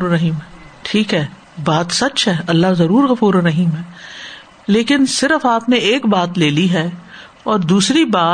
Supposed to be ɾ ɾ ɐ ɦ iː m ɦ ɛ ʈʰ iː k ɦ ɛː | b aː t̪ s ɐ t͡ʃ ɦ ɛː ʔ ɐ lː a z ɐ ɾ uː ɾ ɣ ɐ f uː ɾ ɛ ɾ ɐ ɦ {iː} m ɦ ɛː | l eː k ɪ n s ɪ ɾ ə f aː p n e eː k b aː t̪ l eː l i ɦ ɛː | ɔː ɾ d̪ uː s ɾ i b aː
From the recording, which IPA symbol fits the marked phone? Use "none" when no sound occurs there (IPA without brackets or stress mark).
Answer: iː